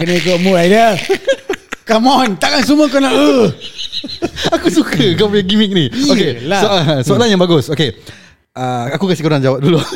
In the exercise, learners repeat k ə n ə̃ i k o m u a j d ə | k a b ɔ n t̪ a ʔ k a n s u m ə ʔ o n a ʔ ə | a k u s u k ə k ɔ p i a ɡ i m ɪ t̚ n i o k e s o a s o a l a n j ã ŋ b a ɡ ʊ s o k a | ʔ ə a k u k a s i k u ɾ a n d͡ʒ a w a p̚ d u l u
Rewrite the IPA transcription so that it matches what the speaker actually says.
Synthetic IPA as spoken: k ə n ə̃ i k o m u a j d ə | k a m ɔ n t̪ a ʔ k a n s u m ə k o n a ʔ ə | a k u s u k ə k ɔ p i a ɡ i m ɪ k̚ n i o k e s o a s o a l a n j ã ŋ b a ɡ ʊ s o k e | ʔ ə a k u k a s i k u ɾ a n d͡ʒ a w a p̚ d u l u